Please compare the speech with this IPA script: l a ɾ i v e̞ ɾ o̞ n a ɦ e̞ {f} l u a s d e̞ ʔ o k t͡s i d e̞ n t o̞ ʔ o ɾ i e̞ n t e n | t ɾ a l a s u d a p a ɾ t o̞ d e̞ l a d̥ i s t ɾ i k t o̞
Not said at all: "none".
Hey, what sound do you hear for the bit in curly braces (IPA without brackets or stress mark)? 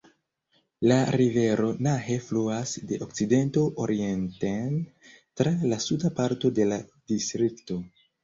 f